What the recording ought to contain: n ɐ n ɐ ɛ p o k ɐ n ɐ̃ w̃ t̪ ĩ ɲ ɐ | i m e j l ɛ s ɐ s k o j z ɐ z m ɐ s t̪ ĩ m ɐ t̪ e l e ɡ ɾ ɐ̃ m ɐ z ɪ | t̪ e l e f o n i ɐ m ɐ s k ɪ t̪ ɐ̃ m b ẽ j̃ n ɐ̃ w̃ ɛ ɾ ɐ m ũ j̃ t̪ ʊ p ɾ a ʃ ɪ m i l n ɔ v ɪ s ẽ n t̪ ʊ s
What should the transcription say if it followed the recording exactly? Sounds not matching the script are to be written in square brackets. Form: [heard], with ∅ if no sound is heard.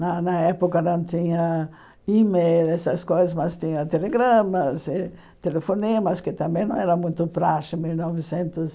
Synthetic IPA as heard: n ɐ n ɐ ɛ p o k ɐ n ɐ̃ w̃ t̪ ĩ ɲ ɐ | i m e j l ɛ s ɐ s k o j z ɐ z m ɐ s t̪ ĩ [ɲ] ɐ t̪ e l e ɡ ɾ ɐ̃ m ɐ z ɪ | t̪ e l e f o n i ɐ m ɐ s k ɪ t̪ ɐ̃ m b ẽ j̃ n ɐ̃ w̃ ɛ ɾ ɐ m ũ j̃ t̪ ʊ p ɾ a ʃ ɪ m i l n ɔ v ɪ s ẽ n t̪ ʊ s